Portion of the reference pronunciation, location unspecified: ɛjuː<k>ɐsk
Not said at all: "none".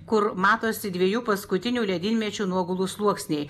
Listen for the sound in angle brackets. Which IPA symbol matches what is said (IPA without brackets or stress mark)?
p